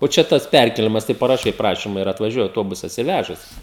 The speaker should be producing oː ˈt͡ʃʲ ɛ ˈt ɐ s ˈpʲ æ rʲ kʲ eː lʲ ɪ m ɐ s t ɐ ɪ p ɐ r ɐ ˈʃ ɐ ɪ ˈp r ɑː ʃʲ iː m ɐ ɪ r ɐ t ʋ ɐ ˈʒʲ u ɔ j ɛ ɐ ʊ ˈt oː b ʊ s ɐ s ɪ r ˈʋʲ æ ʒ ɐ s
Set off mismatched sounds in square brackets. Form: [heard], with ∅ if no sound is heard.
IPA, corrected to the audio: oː ˈt͡ʃʲ ɛ ˈt ɐ s ˈpʲ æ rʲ kʲ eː lʲ ɪ m ɐ s t ɐ ɪ p ɐ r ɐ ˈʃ ɐ ɪ ˈp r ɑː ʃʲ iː m ɐ ɪ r ɐ t ʋ ɐ ˈʒʲ u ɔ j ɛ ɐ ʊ ˈt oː b ʊ s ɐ s ɪ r ˈʋʲ æ ʒ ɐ s